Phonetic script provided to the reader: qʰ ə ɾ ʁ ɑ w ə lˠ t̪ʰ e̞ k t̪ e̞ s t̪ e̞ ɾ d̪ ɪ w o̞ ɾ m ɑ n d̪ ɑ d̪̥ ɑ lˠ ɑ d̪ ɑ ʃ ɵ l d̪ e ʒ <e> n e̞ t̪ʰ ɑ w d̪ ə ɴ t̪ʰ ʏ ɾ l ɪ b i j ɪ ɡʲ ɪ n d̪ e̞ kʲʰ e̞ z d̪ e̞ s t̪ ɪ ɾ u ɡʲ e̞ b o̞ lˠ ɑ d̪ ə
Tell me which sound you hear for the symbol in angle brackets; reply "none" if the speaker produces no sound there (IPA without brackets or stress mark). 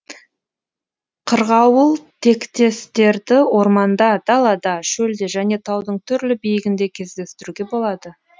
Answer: æ